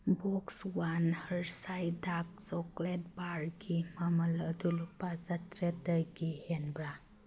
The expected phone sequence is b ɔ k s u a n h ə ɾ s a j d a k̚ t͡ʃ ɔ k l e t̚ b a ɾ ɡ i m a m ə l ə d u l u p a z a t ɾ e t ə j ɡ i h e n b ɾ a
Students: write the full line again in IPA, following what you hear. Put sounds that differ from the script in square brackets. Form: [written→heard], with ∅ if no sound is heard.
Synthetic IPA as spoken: b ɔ k s [u→w] a n h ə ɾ s a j d a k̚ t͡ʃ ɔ k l e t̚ b a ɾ ɡ i m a m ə l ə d u l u p a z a t ɾ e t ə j ɡ i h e n b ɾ a